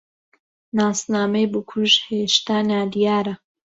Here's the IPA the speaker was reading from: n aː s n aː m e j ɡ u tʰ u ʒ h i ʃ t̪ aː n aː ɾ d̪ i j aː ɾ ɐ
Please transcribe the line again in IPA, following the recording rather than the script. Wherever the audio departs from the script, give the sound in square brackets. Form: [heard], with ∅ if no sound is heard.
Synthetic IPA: n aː s n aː m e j [b] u [kʰ] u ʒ h [e] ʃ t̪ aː n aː [∅] d̪ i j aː ɾ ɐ